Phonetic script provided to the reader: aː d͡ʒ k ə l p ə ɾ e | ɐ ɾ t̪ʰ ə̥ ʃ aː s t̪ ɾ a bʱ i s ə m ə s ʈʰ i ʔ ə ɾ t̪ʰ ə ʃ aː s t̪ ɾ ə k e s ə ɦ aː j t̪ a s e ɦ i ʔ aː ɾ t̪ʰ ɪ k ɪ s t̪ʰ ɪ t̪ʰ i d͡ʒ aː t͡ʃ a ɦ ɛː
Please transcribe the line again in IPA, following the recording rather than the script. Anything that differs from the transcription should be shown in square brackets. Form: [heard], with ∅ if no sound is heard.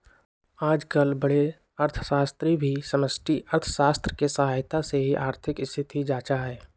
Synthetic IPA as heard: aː d͡ʒ k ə l [b] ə [ɽ] e | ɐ ɾ t̪ʰ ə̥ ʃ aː s t̪ ɾ [i] bʱ i s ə m ə s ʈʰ i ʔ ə ɾ t̪ʰ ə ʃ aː s t̪ ɾ ə k e s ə ɦ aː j t̪ a s e ɦ i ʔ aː ɾ t̪ʰ ɪ k ɪ s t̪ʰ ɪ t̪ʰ i d͡ʒ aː t͡ʃ a ɦ ɛː

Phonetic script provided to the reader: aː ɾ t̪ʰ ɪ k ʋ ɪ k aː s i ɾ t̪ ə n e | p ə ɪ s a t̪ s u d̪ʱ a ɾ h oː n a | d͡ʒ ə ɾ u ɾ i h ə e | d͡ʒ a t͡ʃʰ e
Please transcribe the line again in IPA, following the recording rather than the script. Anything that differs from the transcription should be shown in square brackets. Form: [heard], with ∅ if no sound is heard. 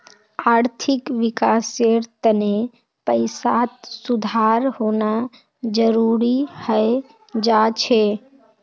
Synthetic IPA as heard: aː ɾ t̪ʰ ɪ k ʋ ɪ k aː s [e] ɾ t̪ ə n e | p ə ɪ s a t̪ s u d̪ʱ a ɾ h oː n a | d͡ʒ ə ɾ u ɾ i h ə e | d͡ʒ a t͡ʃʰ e

